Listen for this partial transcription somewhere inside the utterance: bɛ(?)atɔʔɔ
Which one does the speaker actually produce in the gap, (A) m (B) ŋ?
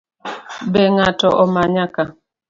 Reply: B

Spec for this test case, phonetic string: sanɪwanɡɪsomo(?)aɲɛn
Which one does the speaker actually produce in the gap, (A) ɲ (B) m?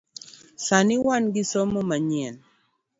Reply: B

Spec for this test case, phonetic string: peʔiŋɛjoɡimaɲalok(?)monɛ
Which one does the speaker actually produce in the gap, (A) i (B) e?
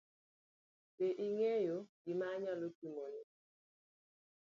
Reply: A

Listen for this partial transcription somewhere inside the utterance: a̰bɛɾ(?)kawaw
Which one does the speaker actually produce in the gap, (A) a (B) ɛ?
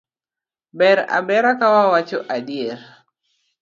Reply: A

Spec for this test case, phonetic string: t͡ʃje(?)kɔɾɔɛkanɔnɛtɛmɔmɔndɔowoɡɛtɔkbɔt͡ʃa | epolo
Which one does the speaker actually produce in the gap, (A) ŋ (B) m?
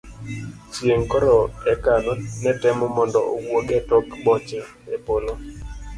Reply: A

